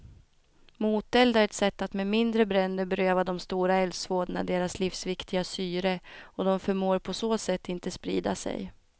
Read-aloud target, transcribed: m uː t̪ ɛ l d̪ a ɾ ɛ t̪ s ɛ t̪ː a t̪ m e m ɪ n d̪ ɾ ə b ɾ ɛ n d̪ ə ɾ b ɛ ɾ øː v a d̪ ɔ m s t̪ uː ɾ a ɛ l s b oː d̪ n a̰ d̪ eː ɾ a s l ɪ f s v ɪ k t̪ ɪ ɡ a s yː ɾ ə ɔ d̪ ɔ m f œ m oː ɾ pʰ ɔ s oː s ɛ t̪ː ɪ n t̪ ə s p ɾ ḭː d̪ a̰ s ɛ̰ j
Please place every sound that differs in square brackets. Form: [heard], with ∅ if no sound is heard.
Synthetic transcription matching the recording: m uː t̪ ɛ l d̪ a ɾ ɛ t̪ s ɛ t̪ː a t̪ m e m ɪ n d̪ ɾ ə b ɾ ɛ n d̪ ə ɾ b ɛ ɾ øː v a d̪ ɔ m s t̪ uː ɾ a ɛ l s [v] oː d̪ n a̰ d̪ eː ɾ a s l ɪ f s v ɪ k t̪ ɪ ɡ a s yː ɾ ə ɔ d̪ ɔ m f œ m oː ɾ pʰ ɔ s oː s ɛ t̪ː ɪ n t̪ ə s p ɾ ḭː d̪ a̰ s ɛ̰ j